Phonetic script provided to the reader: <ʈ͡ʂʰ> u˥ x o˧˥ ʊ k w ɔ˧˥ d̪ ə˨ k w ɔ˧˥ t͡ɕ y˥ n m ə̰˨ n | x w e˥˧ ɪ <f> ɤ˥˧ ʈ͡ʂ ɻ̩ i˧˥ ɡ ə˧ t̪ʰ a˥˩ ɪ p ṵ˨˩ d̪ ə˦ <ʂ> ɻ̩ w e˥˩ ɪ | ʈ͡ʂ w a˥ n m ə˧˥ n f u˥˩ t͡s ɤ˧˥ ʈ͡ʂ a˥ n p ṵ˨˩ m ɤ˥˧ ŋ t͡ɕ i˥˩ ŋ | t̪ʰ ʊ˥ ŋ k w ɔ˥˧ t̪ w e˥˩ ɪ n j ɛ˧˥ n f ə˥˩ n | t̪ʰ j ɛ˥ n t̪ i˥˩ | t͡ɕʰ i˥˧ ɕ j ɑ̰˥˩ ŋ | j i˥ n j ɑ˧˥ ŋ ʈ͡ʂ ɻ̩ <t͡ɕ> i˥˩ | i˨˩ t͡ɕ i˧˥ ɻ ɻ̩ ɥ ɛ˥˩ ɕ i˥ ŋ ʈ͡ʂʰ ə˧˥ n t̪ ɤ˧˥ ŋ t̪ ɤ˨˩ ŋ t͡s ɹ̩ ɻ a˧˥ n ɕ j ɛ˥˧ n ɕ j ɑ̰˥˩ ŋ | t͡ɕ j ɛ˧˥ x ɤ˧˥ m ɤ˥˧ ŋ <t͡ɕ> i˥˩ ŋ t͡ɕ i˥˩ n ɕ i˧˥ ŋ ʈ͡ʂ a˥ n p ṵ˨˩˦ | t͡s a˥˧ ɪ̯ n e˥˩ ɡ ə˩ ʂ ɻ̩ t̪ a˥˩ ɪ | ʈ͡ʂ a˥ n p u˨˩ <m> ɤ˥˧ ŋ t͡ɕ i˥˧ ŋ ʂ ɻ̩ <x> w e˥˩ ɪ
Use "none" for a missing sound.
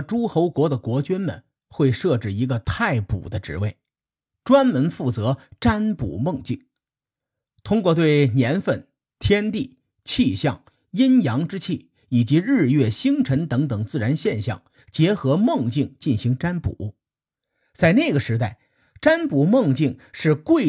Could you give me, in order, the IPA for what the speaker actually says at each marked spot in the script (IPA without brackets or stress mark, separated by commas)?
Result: ʈ͡ʂ, ʂ, ʈ͡ʂ, t͡ɕʰ, t͡ɕ, m, k